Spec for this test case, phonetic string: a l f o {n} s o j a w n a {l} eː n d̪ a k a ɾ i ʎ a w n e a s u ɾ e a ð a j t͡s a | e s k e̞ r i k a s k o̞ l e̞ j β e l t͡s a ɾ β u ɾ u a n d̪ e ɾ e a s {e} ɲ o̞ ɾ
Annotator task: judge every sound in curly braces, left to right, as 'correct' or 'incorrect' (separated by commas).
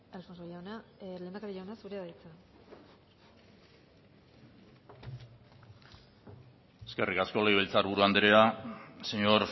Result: correct, correct, correct